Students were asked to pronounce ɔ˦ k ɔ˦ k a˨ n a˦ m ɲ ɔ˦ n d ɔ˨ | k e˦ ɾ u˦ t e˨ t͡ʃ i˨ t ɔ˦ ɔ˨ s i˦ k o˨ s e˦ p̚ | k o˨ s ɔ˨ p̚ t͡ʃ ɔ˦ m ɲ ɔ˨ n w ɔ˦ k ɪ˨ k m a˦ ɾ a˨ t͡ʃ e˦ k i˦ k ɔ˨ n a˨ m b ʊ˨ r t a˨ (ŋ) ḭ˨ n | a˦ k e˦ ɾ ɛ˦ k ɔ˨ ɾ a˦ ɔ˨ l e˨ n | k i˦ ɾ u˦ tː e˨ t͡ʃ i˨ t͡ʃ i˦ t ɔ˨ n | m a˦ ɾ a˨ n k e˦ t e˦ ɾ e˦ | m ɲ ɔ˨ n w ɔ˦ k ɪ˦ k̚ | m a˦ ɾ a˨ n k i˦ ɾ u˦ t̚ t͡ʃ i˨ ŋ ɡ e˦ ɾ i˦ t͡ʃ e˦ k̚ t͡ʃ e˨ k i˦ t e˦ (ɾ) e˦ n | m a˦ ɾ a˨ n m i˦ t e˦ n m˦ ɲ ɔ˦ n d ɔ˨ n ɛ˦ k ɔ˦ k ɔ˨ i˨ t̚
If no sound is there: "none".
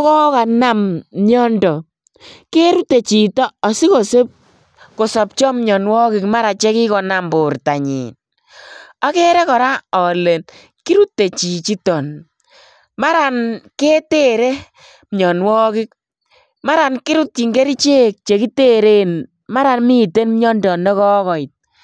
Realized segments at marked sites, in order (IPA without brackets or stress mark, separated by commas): ɲ, ɾ